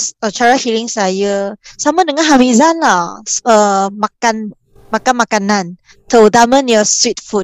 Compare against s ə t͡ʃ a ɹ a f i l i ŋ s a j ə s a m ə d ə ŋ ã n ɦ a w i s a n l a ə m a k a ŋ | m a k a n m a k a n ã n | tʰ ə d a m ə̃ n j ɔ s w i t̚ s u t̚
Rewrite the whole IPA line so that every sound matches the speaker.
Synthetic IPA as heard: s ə t͡ʃ a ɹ a h i l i ŋ s a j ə s a m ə d ə ŋ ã n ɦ a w i z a n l a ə m a k a n | m a k a n m a k a n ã n | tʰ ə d a m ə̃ n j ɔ s w i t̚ f u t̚